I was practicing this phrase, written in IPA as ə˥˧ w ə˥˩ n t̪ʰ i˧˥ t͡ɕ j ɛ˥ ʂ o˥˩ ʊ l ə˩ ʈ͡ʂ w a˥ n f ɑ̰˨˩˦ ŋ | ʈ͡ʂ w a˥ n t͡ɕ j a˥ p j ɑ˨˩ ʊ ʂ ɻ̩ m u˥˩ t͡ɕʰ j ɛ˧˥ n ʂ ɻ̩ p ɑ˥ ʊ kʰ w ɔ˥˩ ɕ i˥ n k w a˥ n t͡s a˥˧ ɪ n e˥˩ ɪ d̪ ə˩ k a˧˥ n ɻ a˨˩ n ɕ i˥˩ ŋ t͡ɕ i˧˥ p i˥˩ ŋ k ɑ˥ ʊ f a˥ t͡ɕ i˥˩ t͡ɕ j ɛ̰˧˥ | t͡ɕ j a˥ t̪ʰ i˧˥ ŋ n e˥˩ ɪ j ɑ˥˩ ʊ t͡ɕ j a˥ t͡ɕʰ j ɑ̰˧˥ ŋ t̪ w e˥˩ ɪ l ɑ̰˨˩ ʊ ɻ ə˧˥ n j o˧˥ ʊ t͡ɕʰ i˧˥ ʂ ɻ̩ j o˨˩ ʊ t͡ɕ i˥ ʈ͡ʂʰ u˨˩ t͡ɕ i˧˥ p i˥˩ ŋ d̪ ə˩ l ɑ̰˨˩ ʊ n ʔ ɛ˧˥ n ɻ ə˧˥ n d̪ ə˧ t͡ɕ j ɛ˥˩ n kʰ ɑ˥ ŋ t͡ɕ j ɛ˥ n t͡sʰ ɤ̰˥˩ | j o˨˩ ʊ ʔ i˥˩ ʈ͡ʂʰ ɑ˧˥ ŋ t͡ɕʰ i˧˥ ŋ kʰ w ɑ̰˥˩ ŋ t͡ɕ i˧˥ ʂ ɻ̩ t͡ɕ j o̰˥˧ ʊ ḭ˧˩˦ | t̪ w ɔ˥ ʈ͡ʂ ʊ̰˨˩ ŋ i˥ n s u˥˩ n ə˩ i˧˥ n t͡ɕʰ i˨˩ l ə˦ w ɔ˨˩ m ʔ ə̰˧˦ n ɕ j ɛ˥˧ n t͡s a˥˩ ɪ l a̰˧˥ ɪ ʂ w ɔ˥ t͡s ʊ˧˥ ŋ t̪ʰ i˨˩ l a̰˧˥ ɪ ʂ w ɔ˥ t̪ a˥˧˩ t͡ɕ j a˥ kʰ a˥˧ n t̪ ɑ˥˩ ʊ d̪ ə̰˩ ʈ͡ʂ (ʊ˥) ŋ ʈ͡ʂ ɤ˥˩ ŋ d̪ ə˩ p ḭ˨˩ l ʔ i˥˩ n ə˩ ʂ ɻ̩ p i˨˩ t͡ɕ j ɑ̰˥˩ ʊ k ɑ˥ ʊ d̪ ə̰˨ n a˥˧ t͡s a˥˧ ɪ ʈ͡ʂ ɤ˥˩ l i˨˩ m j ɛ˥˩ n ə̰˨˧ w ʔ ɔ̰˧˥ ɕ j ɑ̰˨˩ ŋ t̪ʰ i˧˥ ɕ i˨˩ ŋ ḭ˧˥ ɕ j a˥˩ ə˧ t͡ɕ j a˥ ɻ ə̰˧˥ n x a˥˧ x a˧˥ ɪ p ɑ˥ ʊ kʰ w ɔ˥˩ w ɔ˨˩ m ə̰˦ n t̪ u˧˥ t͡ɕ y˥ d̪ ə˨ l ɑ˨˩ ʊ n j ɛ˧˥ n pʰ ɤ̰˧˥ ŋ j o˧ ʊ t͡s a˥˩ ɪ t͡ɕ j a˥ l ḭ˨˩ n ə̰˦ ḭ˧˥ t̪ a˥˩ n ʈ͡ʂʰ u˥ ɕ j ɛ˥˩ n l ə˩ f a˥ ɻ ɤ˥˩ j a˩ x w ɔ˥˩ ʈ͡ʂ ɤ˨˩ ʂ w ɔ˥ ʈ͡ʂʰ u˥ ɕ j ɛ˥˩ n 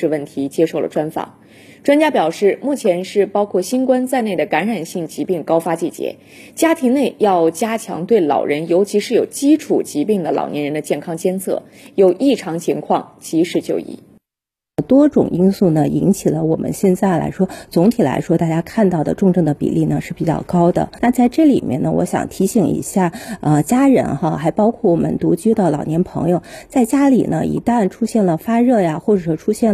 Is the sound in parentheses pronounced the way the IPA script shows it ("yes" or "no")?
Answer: no